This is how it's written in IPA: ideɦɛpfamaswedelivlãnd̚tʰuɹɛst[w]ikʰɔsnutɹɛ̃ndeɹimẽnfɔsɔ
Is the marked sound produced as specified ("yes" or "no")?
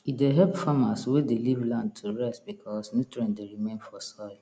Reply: no